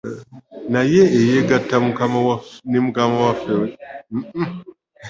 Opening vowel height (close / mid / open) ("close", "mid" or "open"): open